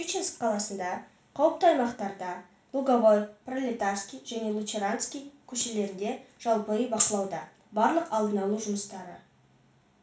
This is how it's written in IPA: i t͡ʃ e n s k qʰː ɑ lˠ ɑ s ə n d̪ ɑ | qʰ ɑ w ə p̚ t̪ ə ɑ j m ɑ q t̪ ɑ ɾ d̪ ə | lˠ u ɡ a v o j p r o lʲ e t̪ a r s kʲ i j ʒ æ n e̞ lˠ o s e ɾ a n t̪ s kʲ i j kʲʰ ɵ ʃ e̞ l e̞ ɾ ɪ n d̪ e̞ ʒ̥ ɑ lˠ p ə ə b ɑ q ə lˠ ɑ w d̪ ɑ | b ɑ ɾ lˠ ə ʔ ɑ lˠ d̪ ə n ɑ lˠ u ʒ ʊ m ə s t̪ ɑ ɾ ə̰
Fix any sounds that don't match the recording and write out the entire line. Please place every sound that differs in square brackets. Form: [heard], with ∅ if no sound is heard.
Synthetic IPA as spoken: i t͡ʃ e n s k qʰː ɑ lˠ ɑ s ə n d̪ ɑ | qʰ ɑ w ə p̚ t̪ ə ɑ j m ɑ q t̪ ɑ ɾ d̪ [ɑ] | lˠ u ɡ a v o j p r o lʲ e t̪ a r s kʲ i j ʒ æ n e̞ lˠ [u] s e ɾ a n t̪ s kʲ i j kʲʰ ɵ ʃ e̞ l e̞ ɾ ɪ n d̪ e̞ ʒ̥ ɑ lˠ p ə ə b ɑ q ə lˠ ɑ w d̪ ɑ | b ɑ ɾ lˠ ə [q] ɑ lˠ d̪ ə n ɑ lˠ u ʒ ʊ m ə s t̪ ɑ ɾ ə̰